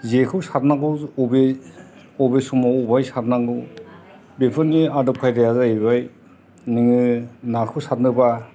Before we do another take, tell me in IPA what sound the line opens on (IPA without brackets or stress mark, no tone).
z